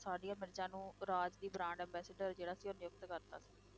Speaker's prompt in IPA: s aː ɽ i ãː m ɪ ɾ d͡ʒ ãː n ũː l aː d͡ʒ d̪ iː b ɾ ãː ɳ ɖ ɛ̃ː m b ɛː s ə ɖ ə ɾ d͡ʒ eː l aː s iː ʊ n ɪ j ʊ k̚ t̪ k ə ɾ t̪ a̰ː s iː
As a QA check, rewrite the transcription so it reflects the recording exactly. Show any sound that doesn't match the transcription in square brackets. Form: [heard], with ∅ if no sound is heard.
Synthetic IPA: s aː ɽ i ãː m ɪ ɾ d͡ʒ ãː n ũː [ɾ] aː d͡ʒ d̪ iː b ɾ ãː ɳ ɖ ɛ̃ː m b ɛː s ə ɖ ə ɾ d͡ʒ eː [ɽ] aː s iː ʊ n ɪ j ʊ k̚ t̪ k ə ɾ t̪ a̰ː s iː